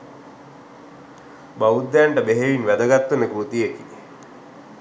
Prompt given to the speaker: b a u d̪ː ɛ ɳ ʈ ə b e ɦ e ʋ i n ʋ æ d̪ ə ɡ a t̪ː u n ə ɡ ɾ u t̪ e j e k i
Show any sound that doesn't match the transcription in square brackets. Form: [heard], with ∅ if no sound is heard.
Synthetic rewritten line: b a u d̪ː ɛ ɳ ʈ ə b e ɦ e ʋ i n ʋ æ d̪ ə ɡ a t̪ː u n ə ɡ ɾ u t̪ [i] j e k i